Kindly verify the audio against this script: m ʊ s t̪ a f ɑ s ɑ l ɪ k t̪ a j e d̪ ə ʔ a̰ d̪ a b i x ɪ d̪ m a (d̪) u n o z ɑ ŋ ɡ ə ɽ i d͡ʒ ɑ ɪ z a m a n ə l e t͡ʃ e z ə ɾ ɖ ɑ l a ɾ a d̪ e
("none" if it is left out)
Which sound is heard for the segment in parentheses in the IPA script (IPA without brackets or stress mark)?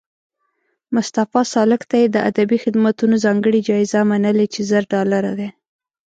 t̪